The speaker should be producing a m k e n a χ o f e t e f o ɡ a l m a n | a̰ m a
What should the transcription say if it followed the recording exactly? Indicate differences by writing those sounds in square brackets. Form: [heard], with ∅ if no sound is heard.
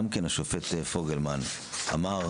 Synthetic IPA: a m k e n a [ʃ] o f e t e f o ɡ [e] l m a n | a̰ m a